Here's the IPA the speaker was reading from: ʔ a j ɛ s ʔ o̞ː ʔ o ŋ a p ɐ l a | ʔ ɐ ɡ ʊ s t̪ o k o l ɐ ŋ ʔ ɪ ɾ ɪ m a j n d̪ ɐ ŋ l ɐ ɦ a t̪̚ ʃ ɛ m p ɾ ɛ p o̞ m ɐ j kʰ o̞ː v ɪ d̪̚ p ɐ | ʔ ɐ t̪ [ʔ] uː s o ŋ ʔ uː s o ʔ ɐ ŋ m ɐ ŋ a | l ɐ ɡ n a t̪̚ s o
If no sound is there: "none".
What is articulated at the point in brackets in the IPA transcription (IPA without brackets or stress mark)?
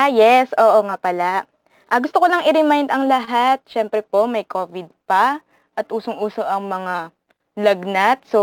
ʔ